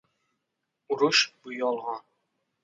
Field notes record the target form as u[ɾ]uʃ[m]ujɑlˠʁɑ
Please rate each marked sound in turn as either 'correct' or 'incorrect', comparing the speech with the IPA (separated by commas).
correct, incorrect